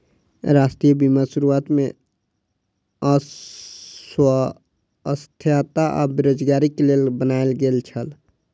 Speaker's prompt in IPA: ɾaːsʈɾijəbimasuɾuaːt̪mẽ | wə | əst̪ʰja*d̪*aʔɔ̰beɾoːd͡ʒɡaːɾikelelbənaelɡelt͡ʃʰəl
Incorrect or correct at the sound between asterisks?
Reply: incorrect: t̪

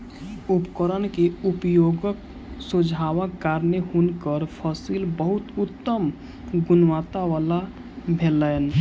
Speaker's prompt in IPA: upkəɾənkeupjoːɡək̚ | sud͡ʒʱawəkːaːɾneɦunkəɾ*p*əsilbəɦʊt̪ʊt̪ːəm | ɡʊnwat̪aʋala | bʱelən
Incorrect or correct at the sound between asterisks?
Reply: incorrect: pʰ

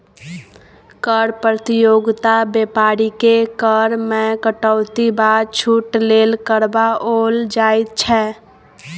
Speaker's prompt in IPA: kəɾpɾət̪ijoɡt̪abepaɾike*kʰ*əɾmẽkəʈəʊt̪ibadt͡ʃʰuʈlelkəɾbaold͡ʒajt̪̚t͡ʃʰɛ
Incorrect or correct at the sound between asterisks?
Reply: incorrect: k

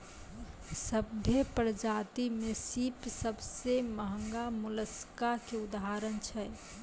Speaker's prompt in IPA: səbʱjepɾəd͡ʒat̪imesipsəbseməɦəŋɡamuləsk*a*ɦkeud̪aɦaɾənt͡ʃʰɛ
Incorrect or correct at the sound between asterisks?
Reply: correct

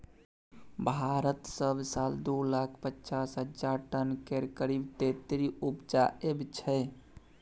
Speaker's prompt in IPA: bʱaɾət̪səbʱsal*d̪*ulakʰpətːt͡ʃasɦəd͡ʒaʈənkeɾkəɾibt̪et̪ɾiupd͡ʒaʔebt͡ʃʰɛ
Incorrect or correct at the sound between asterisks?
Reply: correct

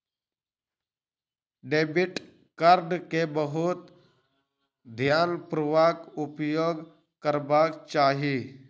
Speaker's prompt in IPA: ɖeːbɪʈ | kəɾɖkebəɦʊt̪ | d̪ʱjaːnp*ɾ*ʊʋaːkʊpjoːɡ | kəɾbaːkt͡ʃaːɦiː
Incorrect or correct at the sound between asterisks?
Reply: correct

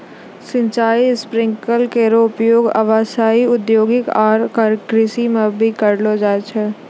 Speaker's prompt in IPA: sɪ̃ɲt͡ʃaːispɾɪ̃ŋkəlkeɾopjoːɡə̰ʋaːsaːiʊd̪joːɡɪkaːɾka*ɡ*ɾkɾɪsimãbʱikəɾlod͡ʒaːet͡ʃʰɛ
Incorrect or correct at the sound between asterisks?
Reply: incorrect: none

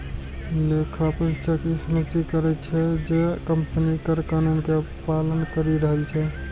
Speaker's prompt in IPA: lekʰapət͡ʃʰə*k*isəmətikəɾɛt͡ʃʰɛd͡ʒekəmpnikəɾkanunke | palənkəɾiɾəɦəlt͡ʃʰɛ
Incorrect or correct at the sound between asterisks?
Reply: correct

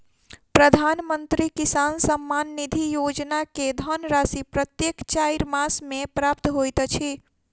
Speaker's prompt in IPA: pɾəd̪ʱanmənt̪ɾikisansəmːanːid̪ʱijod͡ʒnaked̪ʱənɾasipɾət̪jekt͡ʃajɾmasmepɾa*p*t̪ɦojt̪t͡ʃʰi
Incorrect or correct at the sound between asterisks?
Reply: correct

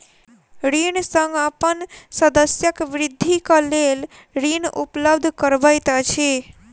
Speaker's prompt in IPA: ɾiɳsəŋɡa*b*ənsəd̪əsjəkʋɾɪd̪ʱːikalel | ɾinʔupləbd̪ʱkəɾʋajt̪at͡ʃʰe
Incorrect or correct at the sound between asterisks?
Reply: incorrect: p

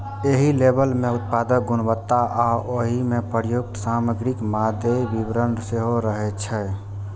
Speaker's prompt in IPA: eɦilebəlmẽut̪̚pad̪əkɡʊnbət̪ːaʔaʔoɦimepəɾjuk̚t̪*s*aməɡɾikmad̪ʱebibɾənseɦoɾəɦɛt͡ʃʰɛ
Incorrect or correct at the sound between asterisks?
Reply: correct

